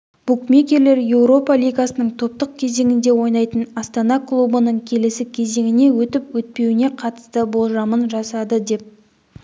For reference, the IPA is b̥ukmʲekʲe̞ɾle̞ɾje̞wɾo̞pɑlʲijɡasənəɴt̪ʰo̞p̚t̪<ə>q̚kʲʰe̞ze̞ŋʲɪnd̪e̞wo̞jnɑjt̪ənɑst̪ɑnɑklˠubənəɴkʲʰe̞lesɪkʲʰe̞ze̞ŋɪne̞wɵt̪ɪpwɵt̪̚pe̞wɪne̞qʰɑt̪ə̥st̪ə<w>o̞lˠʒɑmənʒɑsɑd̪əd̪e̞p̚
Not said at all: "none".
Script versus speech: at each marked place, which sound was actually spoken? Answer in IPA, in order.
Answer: ə, b

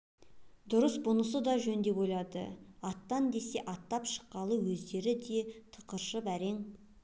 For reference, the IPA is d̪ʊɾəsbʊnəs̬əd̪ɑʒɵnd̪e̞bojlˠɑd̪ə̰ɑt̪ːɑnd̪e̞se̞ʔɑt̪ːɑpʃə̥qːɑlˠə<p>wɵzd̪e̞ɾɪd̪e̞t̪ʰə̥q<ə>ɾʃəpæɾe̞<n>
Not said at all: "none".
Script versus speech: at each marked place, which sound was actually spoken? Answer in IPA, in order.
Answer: none, ə, ŋ

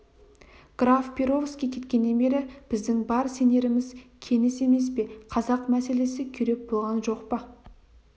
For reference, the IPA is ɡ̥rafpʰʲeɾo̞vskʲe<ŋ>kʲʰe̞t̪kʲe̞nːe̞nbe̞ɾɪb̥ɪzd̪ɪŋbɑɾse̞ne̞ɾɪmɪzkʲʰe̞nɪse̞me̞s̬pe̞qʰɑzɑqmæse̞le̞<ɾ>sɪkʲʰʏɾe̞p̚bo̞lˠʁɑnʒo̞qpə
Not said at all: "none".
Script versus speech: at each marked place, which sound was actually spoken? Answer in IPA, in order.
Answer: none, none

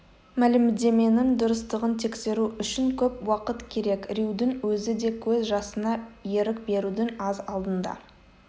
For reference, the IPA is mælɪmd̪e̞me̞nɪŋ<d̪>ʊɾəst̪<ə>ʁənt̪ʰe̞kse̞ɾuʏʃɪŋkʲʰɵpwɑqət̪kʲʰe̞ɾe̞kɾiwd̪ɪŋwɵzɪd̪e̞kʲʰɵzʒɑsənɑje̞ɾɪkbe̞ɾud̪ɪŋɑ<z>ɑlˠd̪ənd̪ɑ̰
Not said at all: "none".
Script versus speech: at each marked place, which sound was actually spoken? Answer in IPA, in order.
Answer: d̪, ə, z

